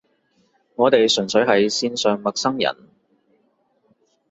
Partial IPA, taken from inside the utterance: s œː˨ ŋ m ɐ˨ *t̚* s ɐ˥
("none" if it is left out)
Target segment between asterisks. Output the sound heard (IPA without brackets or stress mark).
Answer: k̚